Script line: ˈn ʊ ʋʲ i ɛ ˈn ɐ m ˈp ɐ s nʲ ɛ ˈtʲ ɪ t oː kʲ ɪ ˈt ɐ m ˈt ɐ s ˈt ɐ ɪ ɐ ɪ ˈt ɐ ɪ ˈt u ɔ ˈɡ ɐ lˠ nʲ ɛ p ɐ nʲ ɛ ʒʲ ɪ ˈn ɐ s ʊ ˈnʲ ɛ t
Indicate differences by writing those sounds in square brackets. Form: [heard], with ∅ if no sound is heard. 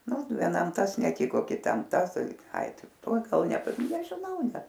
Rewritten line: ˈn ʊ ʋʲ i ɛ ˈn ɐ m [ˈt] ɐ s nʲ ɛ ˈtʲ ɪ [k] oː kʲ ɪ ˈt ɐ m ˈt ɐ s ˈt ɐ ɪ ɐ ɪ ˈt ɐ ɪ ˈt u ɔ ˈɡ ɐ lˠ nʲ ɛ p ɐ nʲ ɛ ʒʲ ɪ ˈn ɐ [∅] ʊ ˈnʲ ɛ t

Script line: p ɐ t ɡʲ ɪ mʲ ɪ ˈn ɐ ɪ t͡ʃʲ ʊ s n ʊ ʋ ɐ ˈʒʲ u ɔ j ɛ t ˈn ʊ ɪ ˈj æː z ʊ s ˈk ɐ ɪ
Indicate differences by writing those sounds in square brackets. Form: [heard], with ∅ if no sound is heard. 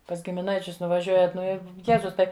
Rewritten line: p ɐ [s] ɡʲ ɪ mʲ ɪ ˈn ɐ ɪ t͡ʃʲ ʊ s n ʊ ʋ ɐ ˈʒʲ u ɔ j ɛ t ˈn ʊ ɪ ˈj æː z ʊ s [ˈt] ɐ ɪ

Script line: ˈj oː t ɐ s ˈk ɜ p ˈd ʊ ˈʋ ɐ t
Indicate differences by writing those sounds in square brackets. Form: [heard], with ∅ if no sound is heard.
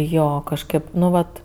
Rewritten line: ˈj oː [k] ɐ [ʃ] ˈk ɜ p [ˈn] ʊ ˈʋ ɐ t

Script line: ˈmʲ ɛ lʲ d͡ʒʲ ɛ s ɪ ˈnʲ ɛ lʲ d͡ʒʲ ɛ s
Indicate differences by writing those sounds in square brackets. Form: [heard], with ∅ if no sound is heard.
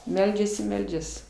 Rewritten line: ˈmʲ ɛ lʲ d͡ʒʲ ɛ s ɪ [ˈmʲ] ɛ lʲ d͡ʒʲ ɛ s

